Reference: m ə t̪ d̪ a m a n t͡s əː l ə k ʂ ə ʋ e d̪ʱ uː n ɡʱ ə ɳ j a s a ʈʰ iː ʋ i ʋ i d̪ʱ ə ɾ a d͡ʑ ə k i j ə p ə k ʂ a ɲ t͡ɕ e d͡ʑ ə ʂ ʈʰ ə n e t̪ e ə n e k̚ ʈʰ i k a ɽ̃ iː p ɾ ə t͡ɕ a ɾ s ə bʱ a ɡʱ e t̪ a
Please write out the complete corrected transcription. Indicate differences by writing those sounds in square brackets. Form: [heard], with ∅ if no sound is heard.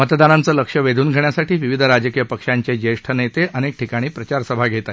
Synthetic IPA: m ə t̪ d̪ a [n] a n t͡s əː l ə k ʂ ə ʋ e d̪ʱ uː n ɡʱ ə ɳ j a s a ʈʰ iː ʋ i ʋ i d̪ʱ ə ɾ a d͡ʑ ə k i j ə p ə k ʂ a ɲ t͡ɕ e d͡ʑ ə ʂ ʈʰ ə n e t̪ e ə n e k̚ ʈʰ i k a ɽ̃ iː p ɾ ə t͡ɕ a ɾ s ə bʱ a ɡʱ e t̪ a